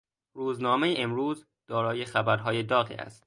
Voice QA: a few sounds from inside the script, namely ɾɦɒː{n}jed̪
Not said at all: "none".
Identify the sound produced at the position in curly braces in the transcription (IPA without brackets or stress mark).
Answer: none